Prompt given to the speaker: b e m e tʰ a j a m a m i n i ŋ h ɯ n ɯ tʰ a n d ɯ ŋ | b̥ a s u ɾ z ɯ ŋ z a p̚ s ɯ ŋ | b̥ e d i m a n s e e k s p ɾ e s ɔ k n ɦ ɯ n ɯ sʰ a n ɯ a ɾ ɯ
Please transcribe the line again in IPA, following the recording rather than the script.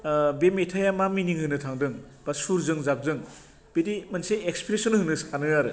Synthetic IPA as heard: b e m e tʰ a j a m a m i n i ŋ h ɯ n ɯ tʰ a ŋ d ɯ ŋ | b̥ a s u ɾ z ɯ ŋ z a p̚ z ɯ ŋ | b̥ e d i m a n s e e k s p ɾ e s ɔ n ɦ ɯ n ɯ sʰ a n ɯ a ɾ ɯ

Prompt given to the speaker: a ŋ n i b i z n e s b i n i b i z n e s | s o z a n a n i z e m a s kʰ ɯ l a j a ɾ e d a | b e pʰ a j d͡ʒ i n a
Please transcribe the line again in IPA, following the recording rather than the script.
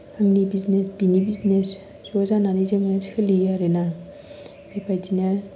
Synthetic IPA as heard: a ŋ n i b i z n e s b i n i b i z n e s | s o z a n a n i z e ŋ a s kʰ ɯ l i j a ɾ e n a | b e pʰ a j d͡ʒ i n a

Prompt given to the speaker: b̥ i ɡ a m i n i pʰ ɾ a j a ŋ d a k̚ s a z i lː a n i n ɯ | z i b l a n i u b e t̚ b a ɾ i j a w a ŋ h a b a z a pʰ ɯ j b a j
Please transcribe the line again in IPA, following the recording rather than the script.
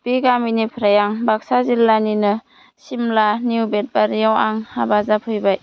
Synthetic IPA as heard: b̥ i ɡ a m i n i pʰ ɾ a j a ŋ b a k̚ s a z i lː a n i n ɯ | s i m l a n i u b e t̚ b a ɾ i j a w a ŋ h a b a z a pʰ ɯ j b a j

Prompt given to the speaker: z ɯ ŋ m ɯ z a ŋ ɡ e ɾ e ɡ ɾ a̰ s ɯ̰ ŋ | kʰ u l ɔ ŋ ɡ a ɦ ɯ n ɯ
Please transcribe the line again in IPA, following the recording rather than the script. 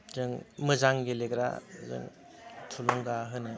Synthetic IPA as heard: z ɯ ŋ m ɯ z a ŋ ɡ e l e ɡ ɾ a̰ z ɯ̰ ŋ | tʰ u l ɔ ŋ ɡ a ɦ ɯ n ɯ

